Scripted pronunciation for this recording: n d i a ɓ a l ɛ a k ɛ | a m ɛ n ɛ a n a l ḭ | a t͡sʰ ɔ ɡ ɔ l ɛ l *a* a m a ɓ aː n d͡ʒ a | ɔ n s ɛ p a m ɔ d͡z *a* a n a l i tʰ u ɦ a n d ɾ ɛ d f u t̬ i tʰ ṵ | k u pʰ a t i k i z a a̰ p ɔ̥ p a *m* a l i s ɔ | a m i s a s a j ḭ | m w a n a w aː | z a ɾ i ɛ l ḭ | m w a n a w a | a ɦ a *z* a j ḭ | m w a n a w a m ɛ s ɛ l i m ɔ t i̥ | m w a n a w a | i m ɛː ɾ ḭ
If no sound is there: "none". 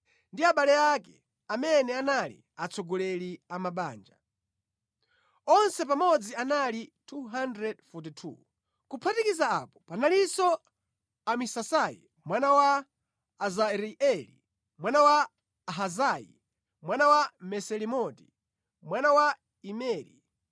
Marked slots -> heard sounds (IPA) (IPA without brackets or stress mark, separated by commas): i, i, n, z